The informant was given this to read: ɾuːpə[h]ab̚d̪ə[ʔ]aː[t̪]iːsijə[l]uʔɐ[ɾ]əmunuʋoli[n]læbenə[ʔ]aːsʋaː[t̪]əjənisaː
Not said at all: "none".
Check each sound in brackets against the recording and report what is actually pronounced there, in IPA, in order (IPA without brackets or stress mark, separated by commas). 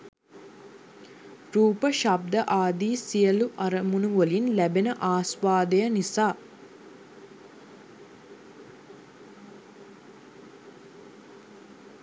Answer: ʃ, ʔ, d̪, l, ɾ, n, ʔ, d̪